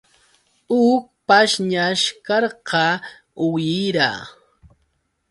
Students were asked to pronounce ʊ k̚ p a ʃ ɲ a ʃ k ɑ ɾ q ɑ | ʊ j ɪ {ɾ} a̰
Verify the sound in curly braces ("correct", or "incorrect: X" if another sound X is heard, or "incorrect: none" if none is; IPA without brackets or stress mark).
correct